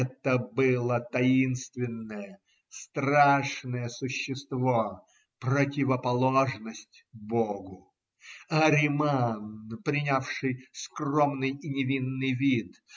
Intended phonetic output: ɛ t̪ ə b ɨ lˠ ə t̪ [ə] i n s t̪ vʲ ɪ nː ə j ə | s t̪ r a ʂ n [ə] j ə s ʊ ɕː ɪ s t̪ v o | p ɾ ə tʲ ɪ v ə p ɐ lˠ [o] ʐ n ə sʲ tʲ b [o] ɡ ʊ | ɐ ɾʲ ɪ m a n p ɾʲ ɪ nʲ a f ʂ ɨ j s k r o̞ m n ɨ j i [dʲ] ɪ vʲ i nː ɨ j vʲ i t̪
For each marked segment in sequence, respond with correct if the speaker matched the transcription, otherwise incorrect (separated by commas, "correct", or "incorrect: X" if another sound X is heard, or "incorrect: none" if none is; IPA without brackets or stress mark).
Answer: incorrect: ɐ, correct, correct, correct, incorrect: nʲ